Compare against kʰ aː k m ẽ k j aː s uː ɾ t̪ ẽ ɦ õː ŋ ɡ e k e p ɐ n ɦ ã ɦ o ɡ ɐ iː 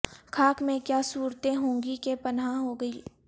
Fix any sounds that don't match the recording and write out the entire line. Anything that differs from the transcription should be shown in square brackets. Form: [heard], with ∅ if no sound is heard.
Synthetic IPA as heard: kʰ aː k m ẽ k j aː s uː ɾ t̪ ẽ ɦ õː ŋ ɡ [i] k e p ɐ n ɦ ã ɦ o ɡ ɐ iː